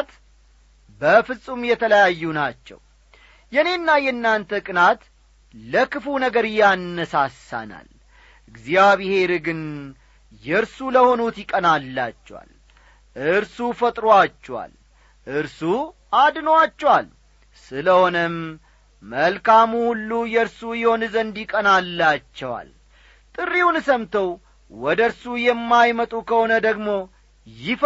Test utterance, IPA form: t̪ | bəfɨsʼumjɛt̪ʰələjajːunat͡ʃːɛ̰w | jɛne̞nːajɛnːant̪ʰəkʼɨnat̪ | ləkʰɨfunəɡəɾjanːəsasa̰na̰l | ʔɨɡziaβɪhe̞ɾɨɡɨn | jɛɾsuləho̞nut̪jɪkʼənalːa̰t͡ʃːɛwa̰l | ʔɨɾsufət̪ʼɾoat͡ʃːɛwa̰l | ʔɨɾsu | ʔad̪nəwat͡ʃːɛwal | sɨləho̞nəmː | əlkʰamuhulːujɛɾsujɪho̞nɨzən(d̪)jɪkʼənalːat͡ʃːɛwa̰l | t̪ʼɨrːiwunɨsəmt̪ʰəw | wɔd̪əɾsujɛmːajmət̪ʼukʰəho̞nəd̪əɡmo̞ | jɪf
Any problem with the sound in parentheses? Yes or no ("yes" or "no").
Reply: no